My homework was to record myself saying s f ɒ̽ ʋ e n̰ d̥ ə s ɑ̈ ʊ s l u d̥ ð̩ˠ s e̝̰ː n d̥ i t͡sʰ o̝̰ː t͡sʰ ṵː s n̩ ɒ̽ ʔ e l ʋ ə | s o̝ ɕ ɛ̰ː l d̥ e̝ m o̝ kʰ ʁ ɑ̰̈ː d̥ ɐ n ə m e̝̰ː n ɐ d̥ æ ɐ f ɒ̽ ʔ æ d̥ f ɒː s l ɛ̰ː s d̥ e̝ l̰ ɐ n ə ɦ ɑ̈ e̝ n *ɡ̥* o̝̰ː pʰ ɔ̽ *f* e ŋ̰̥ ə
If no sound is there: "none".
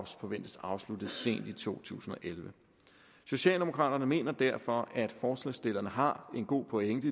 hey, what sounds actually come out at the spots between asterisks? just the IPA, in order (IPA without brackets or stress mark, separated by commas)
ɡ̥, none